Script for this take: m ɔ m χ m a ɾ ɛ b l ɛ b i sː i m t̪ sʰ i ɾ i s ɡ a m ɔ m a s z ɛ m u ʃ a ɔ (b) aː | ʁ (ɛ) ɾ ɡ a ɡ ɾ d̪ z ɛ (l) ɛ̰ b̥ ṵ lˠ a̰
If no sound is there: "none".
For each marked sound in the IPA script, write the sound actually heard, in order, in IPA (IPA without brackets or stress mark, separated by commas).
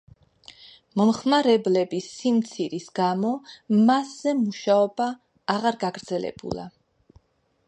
b, a, l